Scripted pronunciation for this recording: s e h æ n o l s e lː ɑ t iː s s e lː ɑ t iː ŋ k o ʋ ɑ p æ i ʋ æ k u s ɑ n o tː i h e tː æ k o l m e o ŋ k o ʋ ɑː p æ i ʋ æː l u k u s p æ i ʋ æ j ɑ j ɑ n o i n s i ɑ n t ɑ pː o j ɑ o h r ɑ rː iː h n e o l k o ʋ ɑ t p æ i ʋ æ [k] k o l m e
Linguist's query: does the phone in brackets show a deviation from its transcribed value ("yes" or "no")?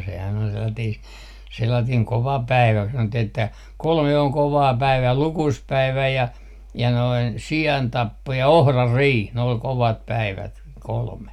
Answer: yes